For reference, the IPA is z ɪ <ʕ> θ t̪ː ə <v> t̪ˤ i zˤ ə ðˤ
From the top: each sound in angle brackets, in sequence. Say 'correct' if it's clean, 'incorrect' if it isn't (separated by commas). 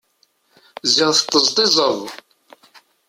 incorrect, incorrect